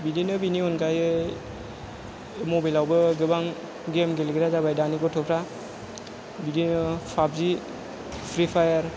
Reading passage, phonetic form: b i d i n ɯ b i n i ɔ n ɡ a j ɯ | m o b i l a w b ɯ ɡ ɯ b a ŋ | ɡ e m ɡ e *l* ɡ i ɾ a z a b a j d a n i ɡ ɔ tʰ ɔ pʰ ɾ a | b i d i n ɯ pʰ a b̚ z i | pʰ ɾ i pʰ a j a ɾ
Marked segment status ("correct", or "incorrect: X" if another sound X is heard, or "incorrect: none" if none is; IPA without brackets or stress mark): correct